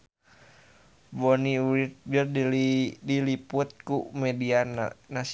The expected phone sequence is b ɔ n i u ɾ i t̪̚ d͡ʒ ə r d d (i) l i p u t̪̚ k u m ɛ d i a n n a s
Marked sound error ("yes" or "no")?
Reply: no